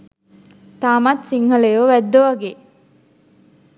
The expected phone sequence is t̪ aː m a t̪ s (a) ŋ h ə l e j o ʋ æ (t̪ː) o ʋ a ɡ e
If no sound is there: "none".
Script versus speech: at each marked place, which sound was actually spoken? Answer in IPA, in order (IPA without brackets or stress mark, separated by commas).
i, d̪ː